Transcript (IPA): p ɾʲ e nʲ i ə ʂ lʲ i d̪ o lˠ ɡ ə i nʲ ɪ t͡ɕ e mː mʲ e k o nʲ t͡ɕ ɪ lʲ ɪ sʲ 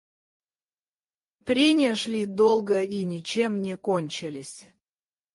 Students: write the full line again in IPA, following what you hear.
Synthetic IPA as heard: p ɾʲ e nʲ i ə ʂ lʲ i d̪ o lˠ ɡ ə i nʲ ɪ t͡ɕ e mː nʲ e k o nʲ t͡ɕ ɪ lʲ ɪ sʲ

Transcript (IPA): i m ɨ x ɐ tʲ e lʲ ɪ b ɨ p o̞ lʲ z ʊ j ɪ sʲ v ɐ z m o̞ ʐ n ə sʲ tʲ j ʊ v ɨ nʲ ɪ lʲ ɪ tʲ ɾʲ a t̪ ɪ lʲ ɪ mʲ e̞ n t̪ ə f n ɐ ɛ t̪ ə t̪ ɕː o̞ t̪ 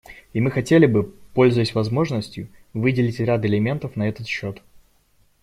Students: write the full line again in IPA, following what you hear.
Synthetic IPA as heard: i m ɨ x ɐ tʲ e lʲ ɪ b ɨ p o̞ lʲ z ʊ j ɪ sʲ v ɐ z m o̞ ʐ n ə sʲ tʲ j ʊ v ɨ dʲ ɪ lʲ ɪ tʲ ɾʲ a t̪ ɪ lʲ ɪ mʲ e̞ n t̪ ə f n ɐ ɛ t̪ ə t̪ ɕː o̞ t̪

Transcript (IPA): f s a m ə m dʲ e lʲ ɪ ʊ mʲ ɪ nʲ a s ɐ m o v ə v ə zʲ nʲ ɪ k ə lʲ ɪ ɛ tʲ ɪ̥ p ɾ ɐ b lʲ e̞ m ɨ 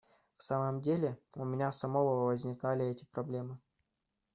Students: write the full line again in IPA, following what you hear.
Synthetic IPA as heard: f s a m ə m dʲ e lʲ ɪ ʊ mʲ ɪ nʲ a s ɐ m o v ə v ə zʲ nʲ ɪ k a lʲ ɪ ɛ tʲ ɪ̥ p ɾ ɐ b lʲ e̞ m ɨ

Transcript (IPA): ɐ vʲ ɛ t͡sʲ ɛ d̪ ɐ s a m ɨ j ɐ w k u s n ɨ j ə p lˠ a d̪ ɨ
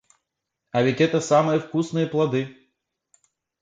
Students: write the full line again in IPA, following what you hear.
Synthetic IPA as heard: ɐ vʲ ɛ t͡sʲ ɛ t̪ ɐ s a m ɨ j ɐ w k u s n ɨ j ɐ p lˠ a d̪ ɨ

